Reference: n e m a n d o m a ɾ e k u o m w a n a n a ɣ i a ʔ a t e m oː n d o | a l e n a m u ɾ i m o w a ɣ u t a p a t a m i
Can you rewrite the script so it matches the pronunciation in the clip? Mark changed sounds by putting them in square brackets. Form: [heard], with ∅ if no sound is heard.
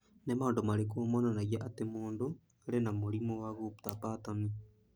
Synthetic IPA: n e m a n d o m a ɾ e k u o m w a n a n a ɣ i a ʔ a t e m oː n d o | a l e n a m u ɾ i m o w a ɣ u t a p a t a m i